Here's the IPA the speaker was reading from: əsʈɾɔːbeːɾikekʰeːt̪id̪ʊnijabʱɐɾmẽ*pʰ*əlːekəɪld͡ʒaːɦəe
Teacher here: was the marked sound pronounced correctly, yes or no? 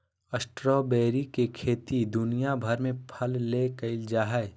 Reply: yes